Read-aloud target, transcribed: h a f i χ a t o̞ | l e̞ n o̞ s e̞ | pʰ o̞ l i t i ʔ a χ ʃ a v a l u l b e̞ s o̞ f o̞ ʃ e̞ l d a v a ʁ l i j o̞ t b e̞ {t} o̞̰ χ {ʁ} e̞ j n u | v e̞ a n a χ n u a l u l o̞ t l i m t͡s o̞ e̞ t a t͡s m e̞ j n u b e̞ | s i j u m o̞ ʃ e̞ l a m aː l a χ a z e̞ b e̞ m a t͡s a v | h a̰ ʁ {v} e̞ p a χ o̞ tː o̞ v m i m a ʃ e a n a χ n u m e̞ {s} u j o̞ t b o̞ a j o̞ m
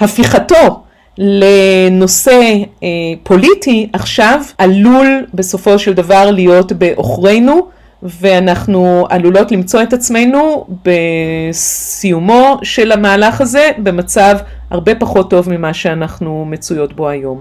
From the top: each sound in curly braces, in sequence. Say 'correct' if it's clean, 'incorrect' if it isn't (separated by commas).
incorrect, correct, incorrect, incorrect